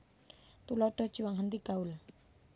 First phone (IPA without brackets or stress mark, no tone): t̪